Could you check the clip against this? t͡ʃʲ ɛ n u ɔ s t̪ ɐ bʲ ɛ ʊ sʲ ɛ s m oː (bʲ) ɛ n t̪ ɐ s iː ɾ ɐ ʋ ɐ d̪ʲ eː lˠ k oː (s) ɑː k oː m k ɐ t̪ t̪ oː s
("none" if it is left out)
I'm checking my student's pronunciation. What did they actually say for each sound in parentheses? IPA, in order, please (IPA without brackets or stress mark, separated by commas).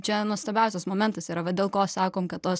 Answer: mʲ, s